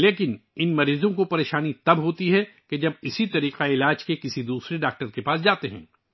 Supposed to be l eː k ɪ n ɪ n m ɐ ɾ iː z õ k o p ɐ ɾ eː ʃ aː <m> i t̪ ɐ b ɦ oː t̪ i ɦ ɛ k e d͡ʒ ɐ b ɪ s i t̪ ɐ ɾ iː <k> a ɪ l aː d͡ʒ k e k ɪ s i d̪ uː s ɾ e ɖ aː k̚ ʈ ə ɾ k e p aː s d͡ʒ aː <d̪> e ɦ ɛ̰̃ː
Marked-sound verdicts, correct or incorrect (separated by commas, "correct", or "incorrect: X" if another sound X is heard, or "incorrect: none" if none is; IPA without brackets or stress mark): incorrect: n, incorrect: q, incorrect: t̪